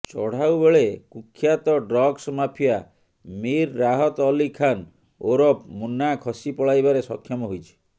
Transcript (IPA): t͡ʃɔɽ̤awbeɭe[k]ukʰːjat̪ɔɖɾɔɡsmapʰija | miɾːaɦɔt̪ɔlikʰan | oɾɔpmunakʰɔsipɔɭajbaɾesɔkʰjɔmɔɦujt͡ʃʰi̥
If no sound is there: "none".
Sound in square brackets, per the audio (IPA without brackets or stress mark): k